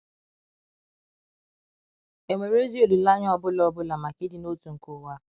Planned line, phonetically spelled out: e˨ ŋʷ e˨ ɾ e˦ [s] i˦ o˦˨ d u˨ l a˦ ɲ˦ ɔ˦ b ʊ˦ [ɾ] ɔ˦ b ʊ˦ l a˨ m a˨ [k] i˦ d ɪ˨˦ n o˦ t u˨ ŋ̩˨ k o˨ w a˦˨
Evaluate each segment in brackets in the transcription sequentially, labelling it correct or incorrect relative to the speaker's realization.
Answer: incorrect: z, incorrect: l, correct

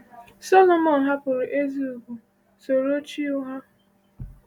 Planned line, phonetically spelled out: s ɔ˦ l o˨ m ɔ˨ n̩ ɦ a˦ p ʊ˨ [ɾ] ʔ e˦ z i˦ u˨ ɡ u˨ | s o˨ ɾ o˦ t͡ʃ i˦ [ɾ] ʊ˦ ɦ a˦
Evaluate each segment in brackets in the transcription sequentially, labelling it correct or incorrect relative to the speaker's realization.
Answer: correct, incorrect: none

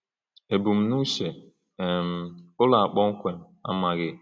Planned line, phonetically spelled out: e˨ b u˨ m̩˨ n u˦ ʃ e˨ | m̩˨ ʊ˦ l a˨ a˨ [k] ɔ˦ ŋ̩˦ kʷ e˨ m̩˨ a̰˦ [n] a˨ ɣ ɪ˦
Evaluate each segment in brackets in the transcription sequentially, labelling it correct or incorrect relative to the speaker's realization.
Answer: incorrect: k͡p, incorrect: m

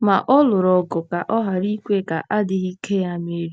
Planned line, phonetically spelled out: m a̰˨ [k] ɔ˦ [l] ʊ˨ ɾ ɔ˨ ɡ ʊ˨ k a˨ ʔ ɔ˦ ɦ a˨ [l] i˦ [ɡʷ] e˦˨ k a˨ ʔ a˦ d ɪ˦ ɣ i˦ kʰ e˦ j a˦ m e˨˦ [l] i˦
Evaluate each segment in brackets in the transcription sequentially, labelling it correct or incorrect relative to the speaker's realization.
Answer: incorrect: ʔ, correct, incorrect: ɾ, incorrect: kʷ, incorrect: ɾ

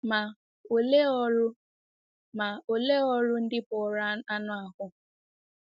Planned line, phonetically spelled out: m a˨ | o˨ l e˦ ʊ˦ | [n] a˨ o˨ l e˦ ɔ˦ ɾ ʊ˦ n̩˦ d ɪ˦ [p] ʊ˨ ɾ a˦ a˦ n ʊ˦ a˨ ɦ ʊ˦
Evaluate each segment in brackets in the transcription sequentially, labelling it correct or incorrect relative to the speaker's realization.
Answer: incorrect: m, correct

